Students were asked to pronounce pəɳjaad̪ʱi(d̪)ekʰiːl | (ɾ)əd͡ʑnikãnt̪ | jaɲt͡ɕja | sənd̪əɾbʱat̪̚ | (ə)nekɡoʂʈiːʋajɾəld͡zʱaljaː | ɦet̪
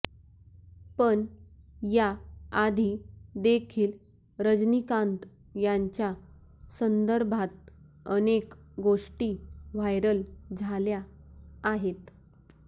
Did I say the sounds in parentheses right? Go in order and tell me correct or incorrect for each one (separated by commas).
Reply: correct, correct, correct